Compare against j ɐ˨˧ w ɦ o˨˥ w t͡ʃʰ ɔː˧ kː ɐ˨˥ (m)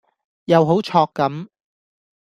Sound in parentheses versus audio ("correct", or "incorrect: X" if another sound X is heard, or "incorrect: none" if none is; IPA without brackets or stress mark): correct